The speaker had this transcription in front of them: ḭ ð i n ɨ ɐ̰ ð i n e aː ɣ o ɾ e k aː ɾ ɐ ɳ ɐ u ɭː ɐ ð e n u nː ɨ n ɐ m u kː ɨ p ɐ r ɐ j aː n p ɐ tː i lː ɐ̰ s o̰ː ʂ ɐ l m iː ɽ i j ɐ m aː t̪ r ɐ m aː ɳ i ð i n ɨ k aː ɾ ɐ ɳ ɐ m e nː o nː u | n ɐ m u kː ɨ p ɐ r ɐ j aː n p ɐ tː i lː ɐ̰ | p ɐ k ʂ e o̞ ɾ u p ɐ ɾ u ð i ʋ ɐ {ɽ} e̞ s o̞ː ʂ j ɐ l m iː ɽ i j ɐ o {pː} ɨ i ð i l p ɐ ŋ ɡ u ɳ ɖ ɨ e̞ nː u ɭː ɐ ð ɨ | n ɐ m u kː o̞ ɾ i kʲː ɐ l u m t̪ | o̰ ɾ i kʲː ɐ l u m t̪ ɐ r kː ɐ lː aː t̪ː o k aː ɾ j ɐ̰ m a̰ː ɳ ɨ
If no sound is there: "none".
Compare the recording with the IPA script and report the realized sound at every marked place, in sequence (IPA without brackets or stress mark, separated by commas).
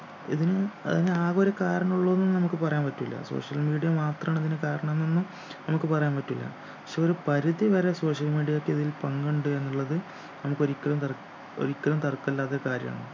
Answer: ɾ, kː